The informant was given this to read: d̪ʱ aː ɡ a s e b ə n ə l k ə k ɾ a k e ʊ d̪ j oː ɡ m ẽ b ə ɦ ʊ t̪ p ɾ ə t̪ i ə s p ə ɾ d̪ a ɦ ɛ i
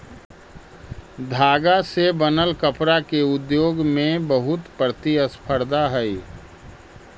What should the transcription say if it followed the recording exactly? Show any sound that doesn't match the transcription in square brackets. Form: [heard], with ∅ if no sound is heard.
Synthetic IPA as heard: d̪ʱ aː ɡ a s e b ə n ə l k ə [p] ɾ a k e ʊ d̪ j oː ɡ m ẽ b ə ɦ ʊ t̪ p ɾ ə t̪ i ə s [pʰ] ə ɾ d̪ a ɦ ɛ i